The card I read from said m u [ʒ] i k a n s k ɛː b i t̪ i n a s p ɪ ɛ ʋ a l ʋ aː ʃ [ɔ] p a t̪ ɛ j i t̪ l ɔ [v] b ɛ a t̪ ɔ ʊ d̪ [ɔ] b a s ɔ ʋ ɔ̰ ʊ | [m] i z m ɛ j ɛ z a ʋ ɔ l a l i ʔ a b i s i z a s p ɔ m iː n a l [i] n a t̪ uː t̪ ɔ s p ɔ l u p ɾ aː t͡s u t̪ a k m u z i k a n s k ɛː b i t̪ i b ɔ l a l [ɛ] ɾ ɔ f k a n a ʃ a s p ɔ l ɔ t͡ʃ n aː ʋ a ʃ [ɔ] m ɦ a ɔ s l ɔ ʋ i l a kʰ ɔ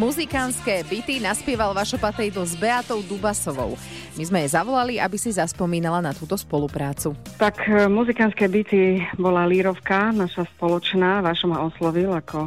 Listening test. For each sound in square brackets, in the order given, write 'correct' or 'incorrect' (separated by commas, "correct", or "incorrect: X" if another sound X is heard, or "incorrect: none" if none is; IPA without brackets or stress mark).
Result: incorrect: z, correct, incorrect: z, incorrect: u, correct, incorrect: a, incorrect: i, correct